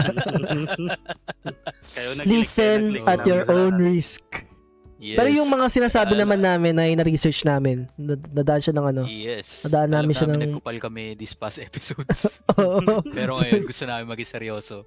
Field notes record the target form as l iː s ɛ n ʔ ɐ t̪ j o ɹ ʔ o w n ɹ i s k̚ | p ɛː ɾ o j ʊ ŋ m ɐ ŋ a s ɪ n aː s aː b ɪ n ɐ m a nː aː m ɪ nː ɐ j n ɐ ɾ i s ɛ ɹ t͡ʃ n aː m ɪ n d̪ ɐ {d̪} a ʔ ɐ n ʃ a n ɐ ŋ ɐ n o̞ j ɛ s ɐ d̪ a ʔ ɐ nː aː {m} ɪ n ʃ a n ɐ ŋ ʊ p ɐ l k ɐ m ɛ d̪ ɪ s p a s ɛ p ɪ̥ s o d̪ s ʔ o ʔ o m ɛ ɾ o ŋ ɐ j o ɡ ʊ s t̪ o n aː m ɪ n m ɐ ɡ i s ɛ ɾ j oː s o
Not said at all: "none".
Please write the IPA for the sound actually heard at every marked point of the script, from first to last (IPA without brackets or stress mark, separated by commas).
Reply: d̪, m